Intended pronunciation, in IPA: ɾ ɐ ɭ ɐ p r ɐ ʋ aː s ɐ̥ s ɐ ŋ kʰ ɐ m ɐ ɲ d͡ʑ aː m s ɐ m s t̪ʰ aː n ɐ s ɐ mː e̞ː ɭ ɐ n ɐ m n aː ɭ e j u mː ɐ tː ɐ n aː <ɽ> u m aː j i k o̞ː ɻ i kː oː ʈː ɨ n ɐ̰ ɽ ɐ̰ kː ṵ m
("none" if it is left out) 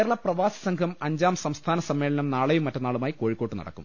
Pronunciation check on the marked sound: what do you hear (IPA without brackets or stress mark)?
ɭ